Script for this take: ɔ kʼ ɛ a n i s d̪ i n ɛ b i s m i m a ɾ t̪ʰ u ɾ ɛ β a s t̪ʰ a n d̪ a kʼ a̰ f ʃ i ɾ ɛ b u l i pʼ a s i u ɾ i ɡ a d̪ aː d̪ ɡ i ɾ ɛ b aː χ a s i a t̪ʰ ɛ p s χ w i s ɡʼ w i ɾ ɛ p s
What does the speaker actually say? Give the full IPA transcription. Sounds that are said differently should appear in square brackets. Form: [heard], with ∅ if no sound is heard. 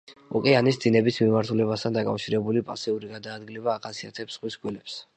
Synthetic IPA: ɔ kʼ ɛ a n i s d̪ i n ɛ b i s m i m a ɾ t̪ʰ u [l] ɛ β a s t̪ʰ a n d̪ a kʼ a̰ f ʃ i ɾ ɛ b u l i pʼ a s i u ɾ i ɡ a d̪ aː d̪ ɡ i [l] ɛ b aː χ a s i a t̪ʰ ɛ p s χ w i s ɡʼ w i [l] ɛ p s